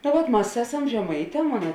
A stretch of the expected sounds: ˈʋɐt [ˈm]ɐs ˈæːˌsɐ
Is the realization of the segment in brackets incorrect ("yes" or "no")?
no